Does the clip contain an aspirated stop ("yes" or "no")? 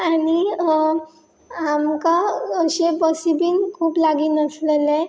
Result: yes